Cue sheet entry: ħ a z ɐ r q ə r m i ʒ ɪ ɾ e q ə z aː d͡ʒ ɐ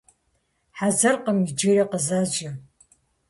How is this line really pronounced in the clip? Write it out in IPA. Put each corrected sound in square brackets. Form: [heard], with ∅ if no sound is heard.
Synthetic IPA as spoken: ħ a z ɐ r q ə [∅] m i [d͡ʒ] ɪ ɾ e q ə z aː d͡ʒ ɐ